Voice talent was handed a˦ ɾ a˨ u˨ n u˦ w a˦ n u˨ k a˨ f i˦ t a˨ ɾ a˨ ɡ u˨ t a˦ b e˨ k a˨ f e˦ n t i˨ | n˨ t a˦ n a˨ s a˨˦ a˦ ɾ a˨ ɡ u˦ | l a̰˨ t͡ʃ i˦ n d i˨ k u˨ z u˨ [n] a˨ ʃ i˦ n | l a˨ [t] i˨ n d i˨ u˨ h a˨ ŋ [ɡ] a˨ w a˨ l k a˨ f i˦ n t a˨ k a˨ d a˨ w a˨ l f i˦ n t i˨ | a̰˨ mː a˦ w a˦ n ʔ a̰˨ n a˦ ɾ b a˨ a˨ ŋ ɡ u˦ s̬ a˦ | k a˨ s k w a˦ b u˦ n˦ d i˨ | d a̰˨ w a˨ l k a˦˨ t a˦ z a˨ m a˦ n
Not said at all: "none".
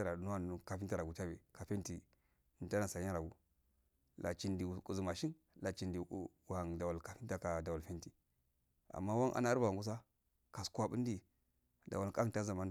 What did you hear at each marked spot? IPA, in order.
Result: m, t͡ʃ, d

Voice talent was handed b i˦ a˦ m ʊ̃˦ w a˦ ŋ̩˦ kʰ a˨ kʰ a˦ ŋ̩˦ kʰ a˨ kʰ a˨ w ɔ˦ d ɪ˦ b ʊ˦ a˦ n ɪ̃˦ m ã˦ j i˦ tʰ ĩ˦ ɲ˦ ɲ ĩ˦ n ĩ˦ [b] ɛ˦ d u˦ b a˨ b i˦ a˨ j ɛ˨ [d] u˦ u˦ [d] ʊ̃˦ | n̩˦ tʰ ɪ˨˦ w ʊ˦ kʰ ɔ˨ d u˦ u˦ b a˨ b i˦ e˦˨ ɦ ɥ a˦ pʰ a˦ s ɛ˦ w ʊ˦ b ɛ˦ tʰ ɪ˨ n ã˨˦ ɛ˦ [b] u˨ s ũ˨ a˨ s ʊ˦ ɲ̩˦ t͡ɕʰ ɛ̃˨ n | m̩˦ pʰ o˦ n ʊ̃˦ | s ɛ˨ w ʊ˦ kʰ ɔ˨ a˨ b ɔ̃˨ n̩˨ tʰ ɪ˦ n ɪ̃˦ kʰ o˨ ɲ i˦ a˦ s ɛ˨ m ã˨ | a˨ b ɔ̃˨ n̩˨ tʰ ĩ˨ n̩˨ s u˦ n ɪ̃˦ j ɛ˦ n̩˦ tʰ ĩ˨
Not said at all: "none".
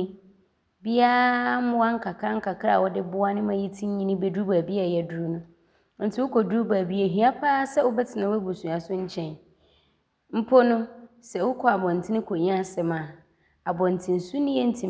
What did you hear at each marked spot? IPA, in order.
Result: b, d, n, b

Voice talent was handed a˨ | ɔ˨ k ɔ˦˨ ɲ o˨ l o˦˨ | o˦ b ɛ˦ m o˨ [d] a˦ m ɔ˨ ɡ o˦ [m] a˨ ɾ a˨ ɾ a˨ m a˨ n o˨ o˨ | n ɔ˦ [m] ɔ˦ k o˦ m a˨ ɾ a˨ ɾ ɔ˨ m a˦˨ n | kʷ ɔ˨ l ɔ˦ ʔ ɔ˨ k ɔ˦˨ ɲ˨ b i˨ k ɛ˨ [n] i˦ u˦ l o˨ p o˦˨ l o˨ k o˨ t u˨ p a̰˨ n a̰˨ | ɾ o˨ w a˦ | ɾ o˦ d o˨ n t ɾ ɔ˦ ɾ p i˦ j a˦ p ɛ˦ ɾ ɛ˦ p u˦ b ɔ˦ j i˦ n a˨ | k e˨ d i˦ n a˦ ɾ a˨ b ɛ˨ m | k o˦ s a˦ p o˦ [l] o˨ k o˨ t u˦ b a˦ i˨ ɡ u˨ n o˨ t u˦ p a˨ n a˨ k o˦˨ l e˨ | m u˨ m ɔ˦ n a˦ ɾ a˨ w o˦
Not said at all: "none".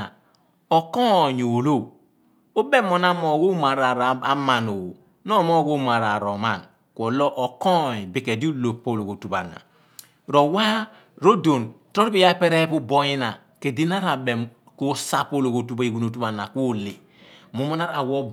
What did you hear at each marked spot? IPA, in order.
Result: n, m, m, d, l

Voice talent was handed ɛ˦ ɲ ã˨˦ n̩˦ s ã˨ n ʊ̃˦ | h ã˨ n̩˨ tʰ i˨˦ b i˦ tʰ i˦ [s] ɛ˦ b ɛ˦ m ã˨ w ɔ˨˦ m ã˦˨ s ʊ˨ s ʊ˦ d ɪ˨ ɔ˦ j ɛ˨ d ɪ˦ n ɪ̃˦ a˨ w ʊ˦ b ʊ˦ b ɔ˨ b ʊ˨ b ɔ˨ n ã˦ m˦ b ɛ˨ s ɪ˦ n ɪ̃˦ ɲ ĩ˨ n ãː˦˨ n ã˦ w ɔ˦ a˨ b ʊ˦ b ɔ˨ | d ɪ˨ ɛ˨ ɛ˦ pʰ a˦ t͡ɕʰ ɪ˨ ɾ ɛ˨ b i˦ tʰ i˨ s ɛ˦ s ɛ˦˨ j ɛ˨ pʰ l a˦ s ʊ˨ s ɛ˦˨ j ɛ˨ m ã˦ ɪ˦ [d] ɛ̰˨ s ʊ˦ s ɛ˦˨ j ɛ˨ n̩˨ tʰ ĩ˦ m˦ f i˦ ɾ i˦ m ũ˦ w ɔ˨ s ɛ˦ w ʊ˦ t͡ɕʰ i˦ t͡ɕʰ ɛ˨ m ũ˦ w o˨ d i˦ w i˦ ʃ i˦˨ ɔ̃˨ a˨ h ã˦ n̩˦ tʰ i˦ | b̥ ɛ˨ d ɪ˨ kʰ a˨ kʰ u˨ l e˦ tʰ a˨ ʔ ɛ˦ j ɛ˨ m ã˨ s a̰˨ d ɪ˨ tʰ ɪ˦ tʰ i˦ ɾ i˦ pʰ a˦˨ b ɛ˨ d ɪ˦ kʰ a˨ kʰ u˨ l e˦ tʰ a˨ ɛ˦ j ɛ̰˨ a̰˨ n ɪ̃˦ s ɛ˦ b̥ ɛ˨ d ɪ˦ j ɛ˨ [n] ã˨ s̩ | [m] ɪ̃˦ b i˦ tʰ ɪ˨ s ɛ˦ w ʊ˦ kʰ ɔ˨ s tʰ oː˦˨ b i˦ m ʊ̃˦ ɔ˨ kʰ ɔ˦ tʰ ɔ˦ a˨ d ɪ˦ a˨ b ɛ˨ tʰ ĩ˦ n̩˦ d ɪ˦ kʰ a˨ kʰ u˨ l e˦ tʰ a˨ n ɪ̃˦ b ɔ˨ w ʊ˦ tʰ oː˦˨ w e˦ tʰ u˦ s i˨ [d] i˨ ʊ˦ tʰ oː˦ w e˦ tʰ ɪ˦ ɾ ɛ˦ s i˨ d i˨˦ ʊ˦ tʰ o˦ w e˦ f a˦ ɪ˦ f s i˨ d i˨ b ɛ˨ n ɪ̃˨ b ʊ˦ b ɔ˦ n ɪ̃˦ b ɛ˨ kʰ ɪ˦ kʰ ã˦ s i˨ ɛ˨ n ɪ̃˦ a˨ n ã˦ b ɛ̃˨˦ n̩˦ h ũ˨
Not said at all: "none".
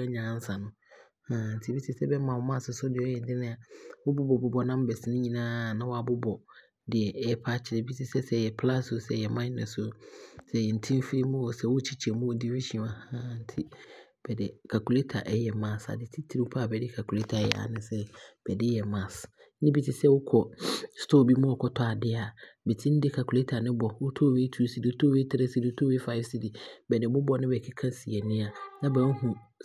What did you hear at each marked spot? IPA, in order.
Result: s, n, m, n, d

